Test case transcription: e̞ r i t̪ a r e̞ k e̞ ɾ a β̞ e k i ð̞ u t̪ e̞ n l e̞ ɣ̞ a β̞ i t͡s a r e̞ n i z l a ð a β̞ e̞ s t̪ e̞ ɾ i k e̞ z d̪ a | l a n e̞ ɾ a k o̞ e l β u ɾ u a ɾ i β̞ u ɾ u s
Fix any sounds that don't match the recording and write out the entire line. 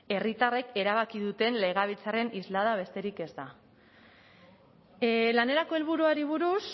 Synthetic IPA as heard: e̞ r i t̪ a r e̞ k e̞ ɾ a β̞ a k i ð̞ u t̪ e̞ n l e̞ ɣ̞ a β̞ i t͡s a r e̞ n i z l a ð a β̞ e̞ s t̪ e̞ ɾ i k e̞ z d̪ a | l a n e̞ ɾ a k o̞ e l β u ɾ u a ɾ i β̞ u ɾ u s